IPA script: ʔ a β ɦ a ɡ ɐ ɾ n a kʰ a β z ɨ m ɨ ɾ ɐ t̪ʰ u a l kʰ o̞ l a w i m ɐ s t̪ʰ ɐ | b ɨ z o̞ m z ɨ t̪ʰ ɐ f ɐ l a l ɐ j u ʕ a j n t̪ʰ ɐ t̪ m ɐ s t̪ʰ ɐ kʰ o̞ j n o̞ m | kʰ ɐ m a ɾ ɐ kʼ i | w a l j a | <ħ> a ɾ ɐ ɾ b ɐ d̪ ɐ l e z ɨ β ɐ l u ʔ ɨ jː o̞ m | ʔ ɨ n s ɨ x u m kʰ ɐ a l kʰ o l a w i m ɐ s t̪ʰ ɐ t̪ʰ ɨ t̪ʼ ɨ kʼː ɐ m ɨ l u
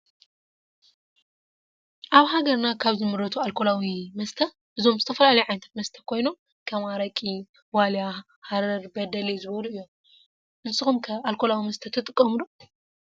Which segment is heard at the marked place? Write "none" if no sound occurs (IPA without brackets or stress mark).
h